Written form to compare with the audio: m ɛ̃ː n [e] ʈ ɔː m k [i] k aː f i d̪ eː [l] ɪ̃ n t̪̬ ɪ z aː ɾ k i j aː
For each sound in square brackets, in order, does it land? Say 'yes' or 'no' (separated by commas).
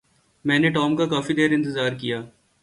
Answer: yes, no, no